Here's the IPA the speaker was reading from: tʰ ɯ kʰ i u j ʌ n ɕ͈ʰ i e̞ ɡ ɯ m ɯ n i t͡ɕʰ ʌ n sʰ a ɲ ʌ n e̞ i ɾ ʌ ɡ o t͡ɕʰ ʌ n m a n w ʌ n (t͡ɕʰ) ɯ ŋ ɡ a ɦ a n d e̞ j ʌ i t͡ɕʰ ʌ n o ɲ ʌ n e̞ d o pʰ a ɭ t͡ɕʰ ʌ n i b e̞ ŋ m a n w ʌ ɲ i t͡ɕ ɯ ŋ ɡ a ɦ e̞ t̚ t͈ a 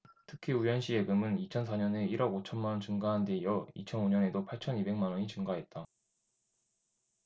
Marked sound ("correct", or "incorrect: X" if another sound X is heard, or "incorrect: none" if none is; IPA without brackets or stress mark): incorrect: t͡ɕ